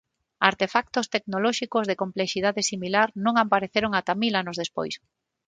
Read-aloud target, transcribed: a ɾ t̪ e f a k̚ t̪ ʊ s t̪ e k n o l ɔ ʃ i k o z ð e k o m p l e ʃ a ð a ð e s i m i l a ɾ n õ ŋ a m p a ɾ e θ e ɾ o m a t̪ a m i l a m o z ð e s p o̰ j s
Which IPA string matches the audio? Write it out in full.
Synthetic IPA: a ɾ t̪ e f a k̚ t̪ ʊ s t̪ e k n o l ɔ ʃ i k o z ð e k o m p l e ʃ i ð a ð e s i m i l a ɾ n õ ŋ a m p a ɾ e θ e ɾ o ŋ a t̪ a m i l a n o z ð e s p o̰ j s